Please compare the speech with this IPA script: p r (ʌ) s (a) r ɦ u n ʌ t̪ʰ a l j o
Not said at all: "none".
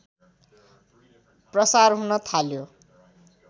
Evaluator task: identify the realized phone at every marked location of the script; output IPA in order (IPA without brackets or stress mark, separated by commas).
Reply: ʌ, a